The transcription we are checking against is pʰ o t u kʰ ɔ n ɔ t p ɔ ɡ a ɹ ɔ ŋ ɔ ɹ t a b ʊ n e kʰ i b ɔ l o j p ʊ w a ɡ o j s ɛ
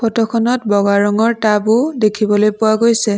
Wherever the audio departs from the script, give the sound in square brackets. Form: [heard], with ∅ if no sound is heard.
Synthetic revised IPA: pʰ [ɔ] t [ɔ] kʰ ɔ n ɔ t [b] ɔ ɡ a ɹ ɔ ŋ ɔ ɹ t a b ʊ [d] e kʰ i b ɔ l o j p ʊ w a ɡ o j s ɛ